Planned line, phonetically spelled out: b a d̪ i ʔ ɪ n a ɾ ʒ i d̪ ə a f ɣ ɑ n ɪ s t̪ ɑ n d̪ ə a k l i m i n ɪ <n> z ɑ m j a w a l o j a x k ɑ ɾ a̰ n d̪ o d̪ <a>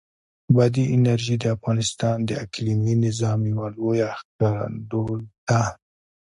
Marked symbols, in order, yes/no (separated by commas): no, yes